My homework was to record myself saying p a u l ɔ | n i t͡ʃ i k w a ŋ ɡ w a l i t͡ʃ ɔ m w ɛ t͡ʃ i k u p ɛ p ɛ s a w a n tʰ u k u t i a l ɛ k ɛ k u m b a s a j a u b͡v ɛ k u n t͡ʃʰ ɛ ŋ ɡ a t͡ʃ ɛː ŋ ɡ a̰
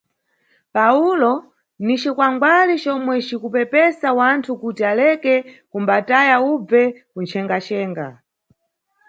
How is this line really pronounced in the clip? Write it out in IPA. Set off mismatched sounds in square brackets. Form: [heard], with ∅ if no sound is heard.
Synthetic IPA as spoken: p a u l ɔ | n i t͡ʃ i k w a ŋ ɡ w a l i t͡ʃ ɔ m w ɛ t͡ʃ i k u p ɛ p ɛ s a w a n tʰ u k u t i a l ɛ k ɛ k u m b a [t] a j a u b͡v ɛ k u n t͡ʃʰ ɛ ŋ ɡ a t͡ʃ ɛː ŋ ɡ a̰